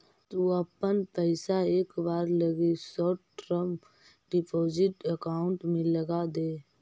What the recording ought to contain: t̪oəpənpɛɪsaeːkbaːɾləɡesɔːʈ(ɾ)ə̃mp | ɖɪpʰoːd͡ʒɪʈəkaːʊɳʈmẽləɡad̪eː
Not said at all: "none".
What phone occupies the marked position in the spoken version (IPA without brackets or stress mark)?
ɾ